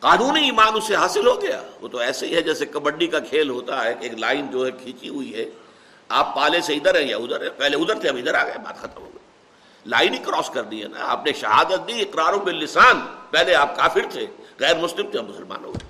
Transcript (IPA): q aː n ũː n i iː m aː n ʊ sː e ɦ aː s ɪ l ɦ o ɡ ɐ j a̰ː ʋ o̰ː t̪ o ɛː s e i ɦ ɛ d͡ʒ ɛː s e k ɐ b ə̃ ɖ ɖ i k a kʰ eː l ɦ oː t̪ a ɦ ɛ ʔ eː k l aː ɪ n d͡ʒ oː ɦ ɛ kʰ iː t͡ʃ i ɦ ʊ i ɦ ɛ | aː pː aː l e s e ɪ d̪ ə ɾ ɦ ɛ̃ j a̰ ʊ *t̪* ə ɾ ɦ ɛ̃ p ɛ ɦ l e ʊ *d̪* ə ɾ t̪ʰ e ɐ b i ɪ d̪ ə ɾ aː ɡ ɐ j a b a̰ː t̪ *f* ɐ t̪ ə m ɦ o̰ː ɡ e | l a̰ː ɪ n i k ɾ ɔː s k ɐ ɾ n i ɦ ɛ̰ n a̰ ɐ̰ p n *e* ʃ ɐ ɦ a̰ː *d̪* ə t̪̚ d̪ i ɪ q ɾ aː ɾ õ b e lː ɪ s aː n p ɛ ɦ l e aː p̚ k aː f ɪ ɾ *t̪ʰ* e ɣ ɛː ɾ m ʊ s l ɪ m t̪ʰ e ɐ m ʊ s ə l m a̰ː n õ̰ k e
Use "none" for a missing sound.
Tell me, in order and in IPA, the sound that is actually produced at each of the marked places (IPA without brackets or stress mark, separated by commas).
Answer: d̪, d̪, x, e, d̪, t̪ʰ